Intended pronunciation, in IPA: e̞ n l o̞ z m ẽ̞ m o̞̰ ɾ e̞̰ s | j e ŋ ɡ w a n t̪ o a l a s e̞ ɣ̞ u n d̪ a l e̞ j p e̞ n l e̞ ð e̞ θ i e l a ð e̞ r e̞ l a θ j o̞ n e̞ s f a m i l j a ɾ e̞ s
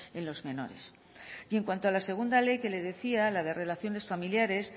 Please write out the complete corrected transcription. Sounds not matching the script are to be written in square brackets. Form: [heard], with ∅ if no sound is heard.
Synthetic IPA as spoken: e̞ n l o̞ z m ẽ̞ [n] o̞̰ ɾ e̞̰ s | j e ŋ [k] w a n t̪ o a l a s e̞ ɣ̞ u n d̪ a l e̞ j [k] e̞ [∅] l e̞ ð e̞ θ i [a] l a ð e̞ r e̞ l a θ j o̞ n e̞ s f a m i l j a ɾ e̞ s

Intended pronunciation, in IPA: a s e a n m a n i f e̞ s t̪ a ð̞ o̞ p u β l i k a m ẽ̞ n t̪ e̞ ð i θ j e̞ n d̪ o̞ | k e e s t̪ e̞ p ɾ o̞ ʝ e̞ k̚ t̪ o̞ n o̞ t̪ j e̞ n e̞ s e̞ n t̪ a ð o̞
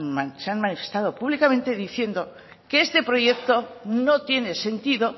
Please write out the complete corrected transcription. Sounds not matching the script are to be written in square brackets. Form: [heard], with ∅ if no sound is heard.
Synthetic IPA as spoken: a s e a n m a n i f e̞ s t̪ a ð̞ o̞ p u β l i k a m ẽ̞ n t̪ e̞ ð i θ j e̞ n d̪ o̞ | k e e s t̪ e̞ p ɾ o̞ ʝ e̞ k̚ t̪ o̞ n o̞ t̪ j e̞ n e̞ s e̞ n t̪ [i] ð o̞

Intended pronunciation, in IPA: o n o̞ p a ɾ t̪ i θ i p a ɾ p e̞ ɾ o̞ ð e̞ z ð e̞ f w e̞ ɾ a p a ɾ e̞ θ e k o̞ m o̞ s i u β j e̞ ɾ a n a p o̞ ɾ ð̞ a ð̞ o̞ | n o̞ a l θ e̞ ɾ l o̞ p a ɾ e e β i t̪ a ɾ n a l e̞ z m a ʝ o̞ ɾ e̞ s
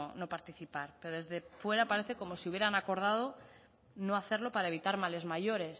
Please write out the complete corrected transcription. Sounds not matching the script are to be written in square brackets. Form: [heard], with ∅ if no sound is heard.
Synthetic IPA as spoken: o n o̞ p a ɾ t̪ i θ i p a ɾ p e̞ ɾ o̞ ð e̞ z ð e̞ f w e̞ ɾ a p a ɾ e̞ θ e k o̞ m o̞ s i u β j e̞ ɾ a n a [k] o̞ ɾ ð̞ a ð̞ o̞ | n o̞ a [∅] θ e̞ ɾ l o̞ p a ɾ [a] e β i t̪ a ɾ [m] a l e̞ z m a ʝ o̞ ɾ e̞ s

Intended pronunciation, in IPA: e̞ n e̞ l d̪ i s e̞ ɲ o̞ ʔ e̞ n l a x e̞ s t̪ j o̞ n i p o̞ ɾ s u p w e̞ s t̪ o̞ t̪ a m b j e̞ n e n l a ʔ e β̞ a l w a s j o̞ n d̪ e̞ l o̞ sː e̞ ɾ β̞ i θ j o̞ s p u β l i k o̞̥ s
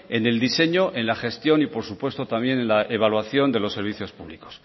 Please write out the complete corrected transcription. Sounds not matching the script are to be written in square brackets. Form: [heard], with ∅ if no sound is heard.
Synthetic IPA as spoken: e̞ n e̞ l d̪ i s e̞ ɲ o̞ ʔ e̞ n l a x e̞ s t̪ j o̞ n i p o̞ ɾ s u p w e̞ s t̪ o̞ t̪ a m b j e̞ n e n l a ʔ e β̞ a l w a [θ] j o̞ n d̪ e̞ l o̞ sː e̞ ɾ β̞ i θ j o̞ s p u β l i k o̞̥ s

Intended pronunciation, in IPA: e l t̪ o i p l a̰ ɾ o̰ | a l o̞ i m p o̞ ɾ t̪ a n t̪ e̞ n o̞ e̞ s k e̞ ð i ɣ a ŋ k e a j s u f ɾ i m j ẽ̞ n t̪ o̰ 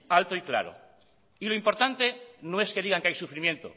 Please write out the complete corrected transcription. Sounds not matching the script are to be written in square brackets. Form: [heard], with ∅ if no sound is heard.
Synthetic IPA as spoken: [a] l t̪ o i [k] l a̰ ɾ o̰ | [i] l o̞ i m p o̞ ɾ t̪ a n t̪ e̞ n o̞ e̞ s k e̞ ð i ɣ a ŋ k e a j s u f ɾ i m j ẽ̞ n t̪ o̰

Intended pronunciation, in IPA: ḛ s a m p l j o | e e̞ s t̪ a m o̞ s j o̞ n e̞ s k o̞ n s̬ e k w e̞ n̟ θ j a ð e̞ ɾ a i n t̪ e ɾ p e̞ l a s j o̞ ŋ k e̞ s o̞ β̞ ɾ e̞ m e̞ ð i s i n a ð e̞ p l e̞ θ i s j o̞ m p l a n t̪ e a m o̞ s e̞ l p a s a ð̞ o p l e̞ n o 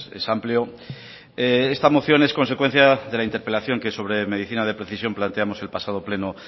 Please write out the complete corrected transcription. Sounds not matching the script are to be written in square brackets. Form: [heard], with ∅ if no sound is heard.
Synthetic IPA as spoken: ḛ s a m p l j o | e e̞ s t̪ a m o̞ [θ] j o̞ n e̞ s k o̞ n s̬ e k w e̞ n̟ θ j a ð e̞ [l] a i n t̪ e ɾ p e̞ l a [θ] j o̞ ŋ k e̞ s o̞ β̞ ɾ e̞ m e̞ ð i [θ] i n a ð e̞ p [ɾ] e̞ θ i s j o̞ m p l a n t̪ e a m o̞ s e̞ l p a s a ð̞ o p l e̞ n o

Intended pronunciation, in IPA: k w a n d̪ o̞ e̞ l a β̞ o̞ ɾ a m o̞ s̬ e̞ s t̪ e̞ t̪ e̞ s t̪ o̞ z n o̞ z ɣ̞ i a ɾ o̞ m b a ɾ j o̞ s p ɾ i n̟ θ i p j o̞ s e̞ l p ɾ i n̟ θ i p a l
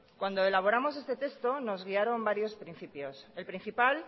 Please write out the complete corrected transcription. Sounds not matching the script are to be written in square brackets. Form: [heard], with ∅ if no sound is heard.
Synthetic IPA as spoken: k w a n d̪ o̞ e̞ l a β̞ o̞ ɾ a m o̞ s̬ e̞ s t̪ e̞ t̪ e̞ s t̪ o̞ [∅] n o̞ z ɣ̞ i a ɾ o̞ m b a ɾ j o̞ s p ɾ i n̟ θ i p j o̞ s e̞ l p ɾ i n̟ θ i p a l

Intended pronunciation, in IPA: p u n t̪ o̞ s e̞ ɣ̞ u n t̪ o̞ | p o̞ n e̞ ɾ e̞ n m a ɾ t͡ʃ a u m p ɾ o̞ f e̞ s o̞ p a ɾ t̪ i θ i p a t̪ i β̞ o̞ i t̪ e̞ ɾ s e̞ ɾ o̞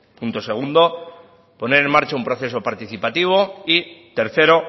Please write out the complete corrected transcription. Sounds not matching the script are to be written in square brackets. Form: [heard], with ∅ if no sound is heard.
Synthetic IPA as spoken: p u n t̪ o̞ s e̞ ɣ̞ u n [d̪] o̞ | p o̞ n e̞ ɾ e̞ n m a ɾ t͡ʃ a u m p ɾ o̞ [θ] e̞ s o̞ p a ɾ t̪ i θ i p a t̪ i β̞ o̞ i t̪ e̞ ɾ [θ] e̞ ɾ o̞

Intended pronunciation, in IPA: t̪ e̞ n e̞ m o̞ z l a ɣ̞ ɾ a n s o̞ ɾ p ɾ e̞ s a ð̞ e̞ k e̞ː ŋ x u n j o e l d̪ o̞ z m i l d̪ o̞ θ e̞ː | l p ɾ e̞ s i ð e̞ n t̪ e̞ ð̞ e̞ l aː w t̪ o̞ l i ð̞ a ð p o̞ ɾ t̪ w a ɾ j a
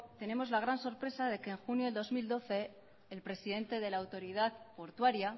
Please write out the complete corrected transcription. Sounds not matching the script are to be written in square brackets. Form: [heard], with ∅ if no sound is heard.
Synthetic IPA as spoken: t̪ e̞ n e̞ m o̞ z l a ɣ̞ ɾ a n s o̞ ɾ p ɾ e̞ s a ð̞ e̞ k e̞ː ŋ x u n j o e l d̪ o̞ z m i l d̪ o̞ θ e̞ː | l p ɾ e̞ s i ð e̞ n t̪ e̞ ð̞ e̞ l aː w t̪ o̞ [ɾ] i ð̞ a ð p o̞ ɾ t̪ w a ɾ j a

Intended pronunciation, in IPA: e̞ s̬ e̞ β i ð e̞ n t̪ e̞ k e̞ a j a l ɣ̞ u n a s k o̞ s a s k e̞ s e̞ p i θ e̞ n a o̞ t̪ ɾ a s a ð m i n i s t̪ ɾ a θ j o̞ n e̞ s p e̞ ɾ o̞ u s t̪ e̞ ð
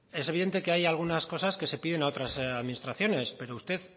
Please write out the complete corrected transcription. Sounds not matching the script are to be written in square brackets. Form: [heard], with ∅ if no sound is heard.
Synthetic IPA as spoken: e̞ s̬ e̞ β i ð e̞ n t̪ e̞ k e̞ a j a l ɣ̞ u n a s k o̞ s a s k e̞ s e̞ p i [ð] e̞ n a o̞ t̪ ɾ a s a ð m i n i s t̪ ɾ a θ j o̞ n e̞ s p e̞ ɾ o̞ u s t̪ e̞ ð

